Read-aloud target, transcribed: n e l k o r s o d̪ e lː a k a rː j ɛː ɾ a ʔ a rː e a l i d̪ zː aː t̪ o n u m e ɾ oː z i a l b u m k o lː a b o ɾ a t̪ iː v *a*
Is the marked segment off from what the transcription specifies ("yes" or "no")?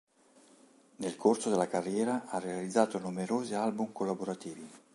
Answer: yes